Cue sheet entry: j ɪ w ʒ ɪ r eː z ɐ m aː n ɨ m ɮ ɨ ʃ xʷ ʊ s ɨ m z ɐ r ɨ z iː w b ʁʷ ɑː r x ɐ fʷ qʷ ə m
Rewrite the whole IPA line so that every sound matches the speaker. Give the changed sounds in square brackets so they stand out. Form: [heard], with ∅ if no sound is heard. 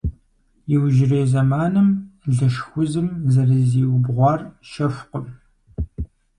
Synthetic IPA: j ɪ w ʒ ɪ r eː z ɐ m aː n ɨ m ɮ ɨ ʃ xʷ ʊ [z] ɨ m z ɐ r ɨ z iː w b ʁʷ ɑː r [ʃ] ɐ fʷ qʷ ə m